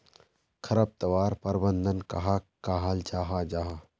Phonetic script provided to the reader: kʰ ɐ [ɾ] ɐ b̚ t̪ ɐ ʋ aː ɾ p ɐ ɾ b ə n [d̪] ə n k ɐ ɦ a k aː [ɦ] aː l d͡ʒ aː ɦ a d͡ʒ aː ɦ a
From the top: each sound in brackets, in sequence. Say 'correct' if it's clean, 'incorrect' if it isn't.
correct, correct, correct

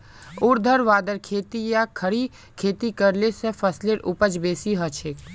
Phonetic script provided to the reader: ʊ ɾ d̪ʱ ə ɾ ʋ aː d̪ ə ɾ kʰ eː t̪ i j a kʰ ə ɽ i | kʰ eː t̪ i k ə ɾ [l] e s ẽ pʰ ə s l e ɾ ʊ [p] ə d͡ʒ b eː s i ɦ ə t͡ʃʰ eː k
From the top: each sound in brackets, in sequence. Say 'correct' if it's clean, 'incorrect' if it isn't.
correct, correct

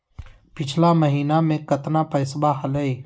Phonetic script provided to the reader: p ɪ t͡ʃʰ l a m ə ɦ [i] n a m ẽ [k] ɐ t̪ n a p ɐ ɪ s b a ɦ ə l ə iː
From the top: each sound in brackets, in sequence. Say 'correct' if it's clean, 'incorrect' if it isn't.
incorrect, correct

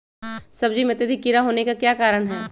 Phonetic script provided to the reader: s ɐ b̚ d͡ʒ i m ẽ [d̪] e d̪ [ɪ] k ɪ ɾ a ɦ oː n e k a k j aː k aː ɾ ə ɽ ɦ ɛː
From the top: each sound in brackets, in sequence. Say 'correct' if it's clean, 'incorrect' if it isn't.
incorrect, incorrect

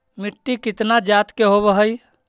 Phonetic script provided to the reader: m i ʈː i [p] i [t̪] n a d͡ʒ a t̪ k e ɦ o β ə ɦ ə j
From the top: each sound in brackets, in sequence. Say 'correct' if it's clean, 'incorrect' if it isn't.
incorrect, correct

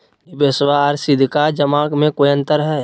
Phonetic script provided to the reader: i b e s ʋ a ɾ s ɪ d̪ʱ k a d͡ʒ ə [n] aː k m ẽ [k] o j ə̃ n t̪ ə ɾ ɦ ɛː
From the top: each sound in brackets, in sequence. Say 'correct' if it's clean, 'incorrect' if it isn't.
incorrect, correct

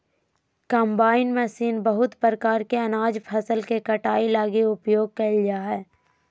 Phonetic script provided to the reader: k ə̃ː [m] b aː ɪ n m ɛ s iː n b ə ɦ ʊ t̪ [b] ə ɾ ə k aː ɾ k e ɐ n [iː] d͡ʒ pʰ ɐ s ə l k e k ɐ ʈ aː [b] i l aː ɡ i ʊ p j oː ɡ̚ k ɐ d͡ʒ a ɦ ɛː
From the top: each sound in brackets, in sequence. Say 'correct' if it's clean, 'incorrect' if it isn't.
correct, incorrect, incorrect, incorrect

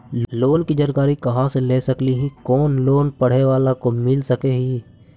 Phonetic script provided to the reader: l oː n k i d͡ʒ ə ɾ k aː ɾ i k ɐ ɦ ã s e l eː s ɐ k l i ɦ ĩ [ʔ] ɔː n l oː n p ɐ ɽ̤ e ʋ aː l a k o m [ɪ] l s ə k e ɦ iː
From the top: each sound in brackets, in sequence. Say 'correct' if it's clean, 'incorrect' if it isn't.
incorrect, correct

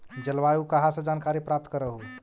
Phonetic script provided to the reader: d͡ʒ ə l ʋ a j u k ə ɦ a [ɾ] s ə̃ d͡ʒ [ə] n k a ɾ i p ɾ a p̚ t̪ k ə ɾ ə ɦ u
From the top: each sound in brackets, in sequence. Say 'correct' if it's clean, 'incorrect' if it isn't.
incorrect, incorrect

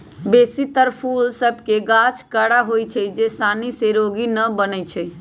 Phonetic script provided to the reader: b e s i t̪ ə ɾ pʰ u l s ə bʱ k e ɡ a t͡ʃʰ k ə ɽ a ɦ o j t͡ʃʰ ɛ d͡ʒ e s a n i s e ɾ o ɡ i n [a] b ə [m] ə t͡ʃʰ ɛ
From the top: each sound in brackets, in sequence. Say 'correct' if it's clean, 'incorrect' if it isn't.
incorrect, incorrect

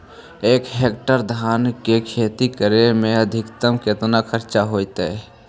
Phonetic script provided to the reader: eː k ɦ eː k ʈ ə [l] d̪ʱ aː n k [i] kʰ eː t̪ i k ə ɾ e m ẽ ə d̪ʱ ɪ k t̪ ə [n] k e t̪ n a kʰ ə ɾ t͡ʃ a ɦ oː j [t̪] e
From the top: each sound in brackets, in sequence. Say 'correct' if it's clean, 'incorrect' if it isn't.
incorrect, incorrect, incorrect, correct

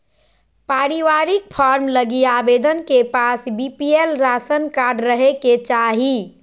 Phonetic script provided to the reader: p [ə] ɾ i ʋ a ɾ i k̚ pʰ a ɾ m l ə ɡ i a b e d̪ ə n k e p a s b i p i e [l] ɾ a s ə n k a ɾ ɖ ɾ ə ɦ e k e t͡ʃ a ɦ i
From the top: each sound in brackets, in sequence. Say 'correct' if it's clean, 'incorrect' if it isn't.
incorrect, correct

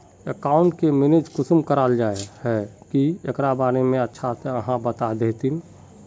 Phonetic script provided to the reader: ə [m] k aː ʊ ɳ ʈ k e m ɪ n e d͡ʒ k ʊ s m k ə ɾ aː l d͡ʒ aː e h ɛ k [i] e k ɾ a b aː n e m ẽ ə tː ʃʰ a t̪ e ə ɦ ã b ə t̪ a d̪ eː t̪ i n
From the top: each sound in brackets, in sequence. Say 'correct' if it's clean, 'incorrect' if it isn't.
incorrect, correct

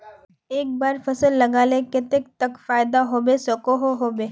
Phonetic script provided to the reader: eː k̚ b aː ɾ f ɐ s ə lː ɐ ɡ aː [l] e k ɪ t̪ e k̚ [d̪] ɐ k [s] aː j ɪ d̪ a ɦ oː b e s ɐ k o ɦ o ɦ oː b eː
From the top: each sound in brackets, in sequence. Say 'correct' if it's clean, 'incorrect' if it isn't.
correct, incorrect, incorrect

